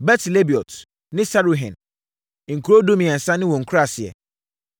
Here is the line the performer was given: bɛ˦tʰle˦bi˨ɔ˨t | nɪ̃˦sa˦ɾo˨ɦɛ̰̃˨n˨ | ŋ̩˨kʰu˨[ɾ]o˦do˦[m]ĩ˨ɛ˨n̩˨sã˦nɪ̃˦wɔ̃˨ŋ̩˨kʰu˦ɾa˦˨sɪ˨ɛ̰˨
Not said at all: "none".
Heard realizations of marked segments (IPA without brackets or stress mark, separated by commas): ɾ, m